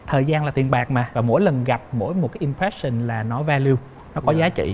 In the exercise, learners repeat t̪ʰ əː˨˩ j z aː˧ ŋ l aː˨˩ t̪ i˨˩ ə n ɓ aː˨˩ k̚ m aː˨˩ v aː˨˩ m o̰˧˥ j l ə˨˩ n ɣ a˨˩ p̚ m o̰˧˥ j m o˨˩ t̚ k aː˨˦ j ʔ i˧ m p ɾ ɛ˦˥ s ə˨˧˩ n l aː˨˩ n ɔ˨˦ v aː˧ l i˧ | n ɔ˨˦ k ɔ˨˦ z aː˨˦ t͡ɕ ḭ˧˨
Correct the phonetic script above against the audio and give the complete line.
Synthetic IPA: t̪ʰ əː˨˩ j z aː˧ n l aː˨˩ t̪ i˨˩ ə n ɓ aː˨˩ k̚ m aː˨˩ v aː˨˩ m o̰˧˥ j l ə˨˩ n ɣ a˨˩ p̚ m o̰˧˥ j m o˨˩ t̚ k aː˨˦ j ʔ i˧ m p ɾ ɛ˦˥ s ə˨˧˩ n l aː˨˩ n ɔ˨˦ v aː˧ l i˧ | n ɔ˨˦ k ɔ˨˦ z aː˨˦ t͡ɕ ḭ˧˨